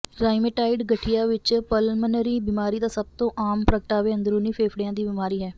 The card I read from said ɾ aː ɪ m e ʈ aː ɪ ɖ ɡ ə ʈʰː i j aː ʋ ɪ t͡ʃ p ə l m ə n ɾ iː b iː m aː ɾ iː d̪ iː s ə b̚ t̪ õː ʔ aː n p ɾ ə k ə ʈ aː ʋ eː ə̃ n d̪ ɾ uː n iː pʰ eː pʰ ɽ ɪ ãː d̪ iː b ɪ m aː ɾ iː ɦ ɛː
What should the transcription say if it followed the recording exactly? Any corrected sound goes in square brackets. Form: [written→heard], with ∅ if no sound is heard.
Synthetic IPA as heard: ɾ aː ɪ m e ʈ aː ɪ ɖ ɡ ə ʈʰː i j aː ʋ ɪ t͡ʃ p ə l m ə n ɾ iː b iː m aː ɾ iː d̪ [iː→aː] s ə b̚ t̪ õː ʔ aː [n→m] p ɾ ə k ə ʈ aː ʋ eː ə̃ n d̪ ɾ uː n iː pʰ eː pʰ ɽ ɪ ãː d̪ iː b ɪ m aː ɾ iː ɦ ɛː